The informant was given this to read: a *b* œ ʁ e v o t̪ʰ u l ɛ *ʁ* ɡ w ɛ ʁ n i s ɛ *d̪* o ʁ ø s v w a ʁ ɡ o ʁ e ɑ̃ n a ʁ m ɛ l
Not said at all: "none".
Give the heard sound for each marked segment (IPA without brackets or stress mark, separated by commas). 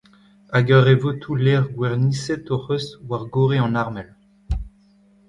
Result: ɡ, ʁ, t̪